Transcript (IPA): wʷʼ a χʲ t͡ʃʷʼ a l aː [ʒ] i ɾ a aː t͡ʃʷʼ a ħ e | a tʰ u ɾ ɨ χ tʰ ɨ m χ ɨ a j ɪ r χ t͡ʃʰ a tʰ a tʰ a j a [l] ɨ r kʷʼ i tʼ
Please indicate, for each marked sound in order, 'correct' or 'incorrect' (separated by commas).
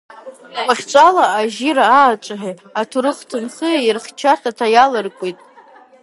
correct, correct